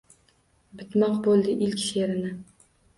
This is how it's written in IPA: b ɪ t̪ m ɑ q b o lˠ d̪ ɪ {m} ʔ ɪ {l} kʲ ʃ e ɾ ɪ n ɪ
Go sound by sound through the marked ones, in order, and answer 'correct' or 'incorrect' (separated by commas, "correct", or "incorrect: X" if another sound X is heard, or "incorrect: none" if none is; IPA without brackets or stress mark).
incorrect: none, correct